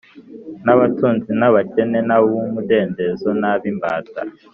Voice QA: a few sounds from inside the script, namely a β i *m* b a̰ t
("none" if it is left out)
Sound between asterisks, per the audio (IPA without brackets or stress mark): m